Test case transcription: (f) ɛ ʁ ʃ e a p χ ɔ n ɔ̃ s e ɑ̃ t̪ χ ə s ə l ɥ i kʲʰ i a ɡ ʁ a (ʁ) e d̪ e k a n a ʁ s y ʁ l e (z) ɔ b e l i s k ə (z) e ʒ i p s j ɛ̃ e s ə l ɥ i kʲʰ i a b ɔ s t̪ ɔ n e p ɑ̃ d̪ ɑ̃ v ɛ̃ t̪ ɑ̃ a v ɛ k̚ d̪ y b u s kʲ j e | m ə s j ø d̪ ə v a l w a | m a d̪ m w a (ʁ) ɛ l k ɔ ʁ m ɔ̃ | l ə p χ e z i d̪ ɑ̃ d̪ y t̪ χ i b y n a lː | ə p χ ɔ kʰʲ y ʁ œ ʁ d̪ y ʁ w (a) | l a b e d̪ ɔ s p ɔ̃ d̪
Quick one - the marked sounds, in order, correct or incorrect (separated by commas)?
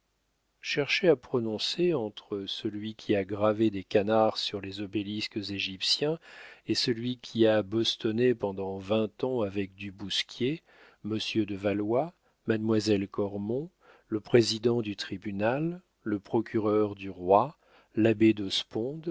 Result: incorrect, incorrect, correct, correct, incorrect, correct